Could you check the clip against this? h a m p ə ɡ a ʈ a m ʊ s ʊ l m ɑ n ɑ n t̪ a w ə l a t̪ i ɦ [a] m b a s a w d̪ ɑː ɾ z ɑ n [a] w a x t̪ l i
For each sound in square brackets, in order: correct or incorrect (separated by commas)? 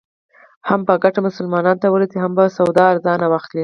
correct, correct